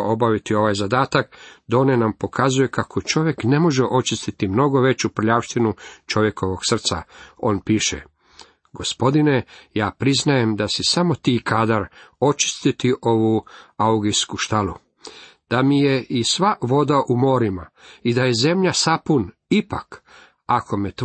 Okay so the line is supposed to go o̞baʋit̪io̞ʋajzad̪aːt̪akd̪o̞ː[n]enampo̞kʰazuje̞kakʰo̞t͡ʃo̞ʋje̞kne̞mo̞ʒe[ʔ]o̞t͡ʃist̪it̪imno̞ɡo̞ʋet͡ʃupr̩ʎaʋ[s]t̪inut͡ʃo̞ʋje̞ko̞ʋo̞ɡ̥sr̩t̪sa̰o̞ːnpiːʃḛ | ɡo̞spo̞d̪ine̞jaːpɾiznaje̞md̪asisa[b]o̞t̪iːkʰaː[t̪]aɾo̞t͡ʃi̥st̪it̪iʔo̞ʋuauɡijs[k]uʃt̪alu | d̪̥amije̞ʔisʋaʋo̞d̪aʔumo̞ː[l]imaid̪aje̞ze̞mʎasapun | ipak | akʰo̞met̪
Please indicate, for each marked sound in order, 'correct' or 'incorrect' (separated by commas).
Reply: correct, correct, incorrect, incorrect, incorrect, correct, incorrect